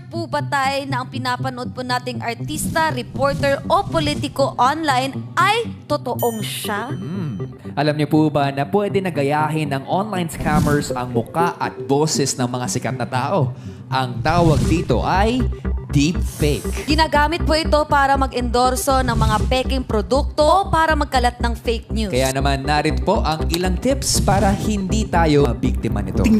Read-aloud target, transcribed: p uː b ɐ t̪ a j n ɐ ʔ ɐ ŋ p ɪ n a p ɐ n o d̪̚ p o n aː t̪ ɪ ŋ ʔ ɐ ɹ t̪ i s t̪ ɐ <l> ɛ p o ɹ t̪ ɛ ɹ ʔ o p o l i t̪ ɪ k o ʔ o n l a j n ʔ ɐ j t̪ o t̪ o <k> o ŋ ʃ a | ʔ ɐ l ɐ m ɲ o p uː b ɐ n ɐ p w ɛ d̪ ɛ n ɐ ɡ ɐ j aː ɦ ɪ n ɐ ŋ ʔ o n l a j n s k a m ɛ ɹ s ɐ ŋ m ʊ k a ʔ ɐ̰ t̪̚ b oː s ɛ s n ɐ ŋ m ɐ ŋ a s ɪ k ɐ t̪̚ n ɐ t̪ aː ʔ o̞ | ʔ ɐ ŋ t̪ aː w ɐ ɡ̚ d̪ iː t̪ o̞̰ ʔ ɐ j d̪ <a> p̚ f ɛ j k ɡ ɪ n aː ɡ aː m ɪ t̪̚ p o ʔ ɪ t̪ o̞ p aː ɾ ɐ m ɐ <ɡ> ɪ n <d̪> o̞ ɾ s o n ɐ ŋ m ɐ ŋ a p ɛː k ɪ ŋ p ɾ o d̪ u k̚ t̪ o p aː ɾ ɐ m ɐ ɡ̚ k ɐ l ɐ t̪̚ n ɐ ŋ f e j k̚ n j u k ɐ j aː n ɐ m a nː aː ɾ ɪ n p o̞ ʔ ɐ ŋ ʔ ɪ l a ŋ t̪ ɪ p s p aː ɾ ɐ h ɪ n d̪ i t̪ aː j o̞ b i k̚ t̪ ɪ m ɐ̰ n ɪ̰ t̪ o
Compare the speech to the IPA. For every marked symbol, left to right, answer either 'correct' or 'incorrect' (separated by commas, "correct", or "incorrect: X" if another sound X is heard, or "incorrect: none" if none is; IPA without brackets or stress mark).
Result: incorrect: ɾ, incorrect: ʔ, incorrect: i, correct, correct